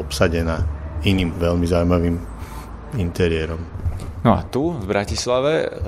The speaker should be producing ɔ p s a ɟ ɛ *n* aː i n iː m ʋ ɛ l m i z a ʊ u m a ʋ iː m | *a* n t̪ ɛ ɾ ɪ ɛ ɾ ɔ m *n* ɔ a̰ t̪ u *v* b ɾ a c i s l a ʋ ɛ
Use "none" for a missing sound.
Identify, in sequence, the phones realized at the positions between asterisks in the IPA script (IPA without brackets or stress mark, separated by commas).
n, i, n, v